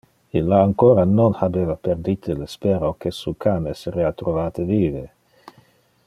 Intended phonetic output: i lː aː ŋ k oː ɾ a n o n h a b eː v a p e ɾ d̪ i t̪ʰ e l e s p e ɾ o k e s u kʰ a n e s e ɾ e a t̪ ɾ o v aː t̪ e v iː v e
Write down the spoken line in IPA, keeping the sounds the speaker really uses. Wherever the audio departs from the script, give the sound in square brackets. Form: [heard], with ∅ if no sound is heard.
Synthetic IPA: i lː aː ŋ k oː ɾ a n o n h a b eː v a p e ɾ d̪ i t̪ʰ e l e s p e ɾ o k e s u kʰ a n e s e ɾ e a t̪ ɾ o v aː t̪ e v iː v e